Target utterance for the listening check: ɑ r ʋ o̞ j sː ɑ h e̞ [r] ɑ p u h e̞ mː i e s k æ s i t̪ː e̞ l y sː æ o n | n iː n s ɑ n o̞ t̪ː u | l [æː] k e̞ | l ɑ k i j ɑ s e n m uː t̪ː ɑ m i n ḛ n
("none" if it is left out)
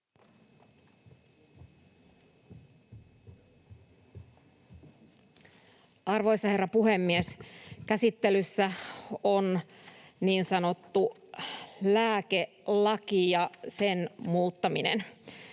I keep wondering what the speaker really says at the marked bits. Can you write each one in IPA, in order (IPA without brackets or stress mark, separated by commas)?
rː, æː